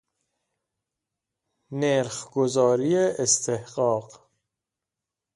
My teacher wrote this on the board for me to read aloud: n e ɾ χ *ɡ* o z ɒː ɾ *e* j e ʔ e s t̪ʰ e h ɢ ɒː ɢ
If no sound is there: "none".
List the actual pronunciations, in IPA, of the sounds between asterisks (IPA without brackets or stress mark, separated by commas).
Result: ɡ, i